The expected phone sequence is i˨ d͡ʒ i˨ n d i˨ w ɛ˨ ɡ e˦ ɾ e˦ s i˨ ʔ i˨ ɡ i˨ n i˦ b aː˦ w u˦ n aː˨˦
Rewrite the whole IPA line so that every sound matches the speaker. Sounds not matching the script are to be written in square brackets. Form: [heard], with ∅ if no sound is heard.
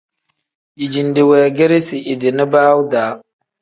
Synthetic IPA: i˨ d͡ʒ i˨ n d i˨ w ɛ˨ ɡ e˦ ɾ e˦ s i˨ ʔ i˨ [d] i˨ n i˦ b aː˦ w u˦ [d] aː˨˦